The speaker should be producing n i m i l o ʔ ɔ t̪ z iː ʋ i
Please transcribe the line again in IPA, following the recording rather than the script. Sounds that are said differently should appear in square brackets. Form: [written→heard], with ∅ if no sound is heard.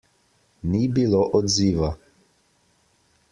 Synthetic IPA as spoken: n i [m→b] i l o ʔ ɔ [t̪→d̪] z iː ʋ [i→a]